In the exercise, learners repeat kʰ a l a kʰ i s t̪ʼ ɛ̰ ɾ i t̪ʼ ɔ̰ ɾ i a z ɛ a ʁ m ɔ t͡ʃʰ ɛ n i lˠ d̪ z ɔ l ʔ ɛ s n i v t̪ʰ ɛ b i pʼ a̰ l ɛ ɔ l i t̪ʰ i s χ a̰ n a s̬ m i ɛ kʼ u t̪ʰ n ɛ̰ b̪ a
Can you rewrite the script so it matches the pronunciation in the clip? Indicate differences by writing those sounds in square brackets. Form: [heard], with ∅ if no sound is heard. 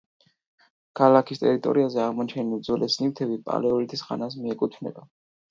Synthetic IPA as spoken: kʰ a l a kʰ i s t̪ʼ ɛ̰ ɾ i t̪ʼ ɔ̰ ɾ i a z ɛ a ʁ m ɔ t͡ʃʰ ɛ n i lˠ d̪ z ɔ l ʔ ɛ s n i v t̪ʰ ɛ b i pʼ a̰ l ɛ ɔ l i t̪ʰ i s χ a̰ n a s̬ m i ɛ kʼ u t̪ʰ n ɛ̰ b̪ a